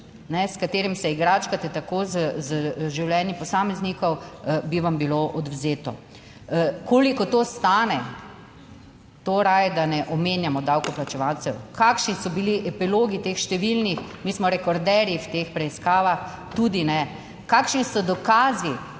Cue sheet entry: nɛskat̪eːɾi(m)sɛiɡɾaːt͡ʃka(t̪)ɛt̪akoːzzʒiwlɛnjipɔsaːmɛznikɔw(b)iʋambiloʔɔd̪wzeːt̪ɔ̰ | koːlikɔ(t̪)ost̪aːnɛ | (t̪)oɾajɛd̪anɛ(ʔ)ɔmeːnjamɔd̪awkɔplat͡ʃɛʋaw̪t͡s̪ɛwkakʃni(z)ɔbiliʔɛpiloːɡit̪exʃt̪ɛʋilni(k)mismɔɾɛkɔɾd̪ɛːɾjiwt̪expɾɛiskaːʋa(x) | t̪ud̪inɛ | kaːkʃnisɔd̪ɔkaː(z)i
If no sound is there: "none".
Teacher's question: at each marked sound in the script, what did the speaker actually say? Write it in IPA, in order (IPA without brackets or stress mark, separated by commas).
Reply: m, t̪, b, t̪, t̪, ʔ, s, x, x, z